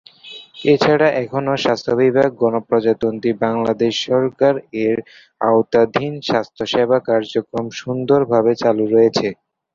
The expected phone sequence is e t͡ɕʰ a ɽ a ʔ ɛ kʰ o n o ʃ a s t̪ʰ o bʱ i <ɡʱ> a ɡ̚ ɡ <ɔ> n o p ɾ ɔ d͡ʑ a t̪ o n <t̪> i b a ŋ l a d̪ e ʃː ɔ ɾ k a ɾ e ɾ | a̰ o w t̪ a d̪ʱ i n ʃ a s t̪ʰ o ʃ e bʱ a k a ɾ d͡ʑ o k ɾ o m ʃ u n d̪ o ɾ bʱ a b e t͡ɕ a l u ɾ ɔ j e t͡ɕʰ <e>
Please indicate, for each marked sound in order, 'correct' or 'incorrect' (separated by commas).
incorrect, correct, correct, correct